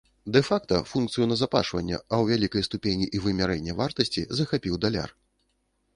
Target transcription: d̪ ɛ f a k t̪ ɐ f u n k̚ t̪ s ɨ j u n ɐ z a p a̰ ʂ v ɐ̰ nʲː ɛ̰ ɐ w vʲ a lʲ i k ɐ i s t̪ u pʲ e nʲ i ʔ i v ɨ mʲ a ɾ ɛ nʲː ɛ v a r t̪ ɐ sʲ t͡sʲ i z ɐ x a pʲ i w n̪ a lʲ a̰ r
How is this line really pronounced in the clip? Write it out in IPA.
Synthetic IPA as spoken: d̪ ɛ f a k t̪ ɐ f u n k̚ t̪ s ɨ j u n ɐ z a p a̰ ʂ v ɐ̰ nʲː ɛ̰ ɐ w vʲ a lʲ i k ɐ j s t̪ u pʲ e nʲ i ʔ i v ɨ mʲ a ɾ ɛ nʲː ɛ v a r t̪ ɐ sʲ t͡sʲ i z ɐ x a pʲ i w d̪ a lʲ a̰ r